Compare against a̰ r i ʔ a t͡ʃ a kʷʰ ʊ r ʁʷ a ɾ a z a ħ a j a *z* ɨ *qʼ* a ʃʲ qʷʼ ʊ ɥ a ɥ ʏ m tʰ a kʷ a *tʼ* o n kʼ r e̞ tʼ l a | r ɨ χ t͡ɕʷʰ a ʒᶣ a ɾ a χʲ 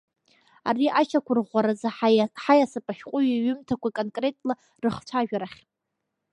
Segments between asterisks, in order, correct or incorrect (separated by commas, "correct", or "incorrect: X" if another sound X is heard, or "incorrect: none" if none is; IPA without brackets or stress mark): incorrect: s, incorrect: pʼ, incorrect: kʼ